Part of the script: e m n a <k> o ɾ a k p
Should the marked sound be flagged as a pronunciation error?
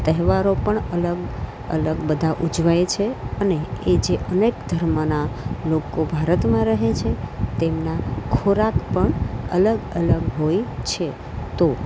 yes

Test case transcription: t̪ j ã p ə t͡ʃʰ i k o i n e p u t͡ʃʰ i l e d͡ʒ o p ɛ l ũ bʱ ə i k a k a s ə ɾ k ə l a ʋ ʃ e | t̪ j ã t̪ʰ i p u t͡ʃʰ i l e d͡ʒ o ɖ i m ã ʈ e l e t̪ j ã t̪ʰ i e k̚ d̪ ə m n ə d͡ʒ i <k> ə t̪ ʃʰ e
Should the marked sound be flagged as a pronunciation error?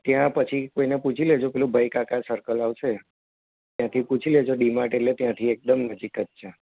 no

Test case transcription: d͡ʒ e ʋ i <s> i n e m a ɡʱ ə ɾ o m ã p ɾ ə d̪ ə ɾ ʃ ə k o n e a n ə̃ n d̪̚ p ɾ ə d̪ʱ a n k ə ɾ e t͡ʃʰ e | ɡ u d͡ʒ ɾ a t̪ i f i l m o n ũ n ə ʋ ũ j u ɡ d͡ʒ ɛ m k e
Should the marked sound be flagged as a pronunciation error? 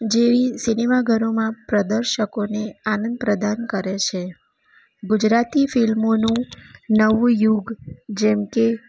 no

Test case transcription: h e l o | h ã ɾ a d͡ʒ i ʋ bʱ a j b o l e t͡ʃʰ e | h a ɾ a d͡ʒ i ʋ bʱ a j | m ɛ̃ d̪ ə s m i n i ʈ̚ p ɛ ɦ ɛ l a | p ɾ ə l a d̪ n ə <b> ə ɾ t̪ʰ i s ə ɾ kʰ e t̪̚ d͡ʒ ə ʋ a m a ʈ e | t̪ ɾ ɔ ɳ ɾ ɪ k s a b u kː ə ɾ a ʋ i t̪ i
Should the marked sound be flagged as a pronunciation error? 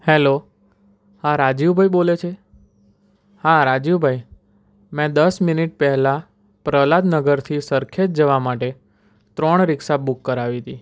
yes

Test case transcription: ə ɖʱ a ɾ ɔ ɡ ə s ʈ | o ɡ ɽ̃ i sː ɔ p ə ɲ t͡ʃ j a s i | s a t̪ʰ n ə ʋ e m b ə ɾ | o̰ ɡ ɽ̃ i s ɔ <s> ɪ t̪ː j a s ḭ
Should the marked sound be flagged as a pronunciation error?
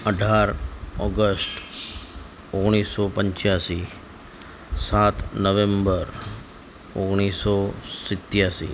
no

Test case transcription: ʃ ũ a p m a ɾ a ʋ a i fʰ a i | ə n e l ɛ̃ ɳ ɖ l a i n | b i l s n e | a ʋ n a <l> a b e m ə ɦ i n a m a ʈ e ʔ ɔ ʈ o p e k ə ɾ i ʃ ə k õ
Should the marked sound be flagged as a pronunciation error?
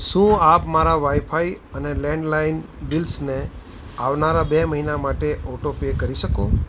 yes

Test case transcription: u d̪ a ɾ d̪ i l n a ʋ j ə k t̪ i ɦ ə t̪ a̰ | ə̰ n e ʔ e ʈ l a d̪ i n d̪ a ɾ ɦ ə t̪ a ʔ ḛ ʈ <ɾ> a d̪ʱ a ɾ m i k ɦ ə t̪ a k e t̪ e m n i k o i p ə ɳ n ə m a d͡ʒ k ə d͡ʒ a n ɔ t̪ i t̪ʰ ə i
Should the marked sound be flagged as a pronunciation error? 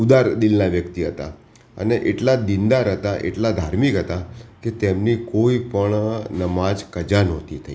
yes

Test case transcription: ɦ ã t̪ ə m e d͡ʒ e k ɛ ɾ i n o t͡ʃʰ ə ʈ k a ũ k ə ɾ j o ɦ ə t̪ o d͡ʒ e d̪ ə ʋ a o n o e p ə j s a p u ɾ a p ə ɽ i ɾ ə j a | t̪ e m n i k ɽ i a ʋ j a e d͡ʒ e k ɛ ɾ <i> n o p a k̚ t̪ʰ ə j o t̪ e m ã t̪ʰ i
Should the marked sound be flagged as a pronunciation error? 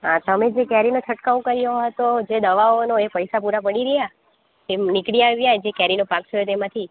no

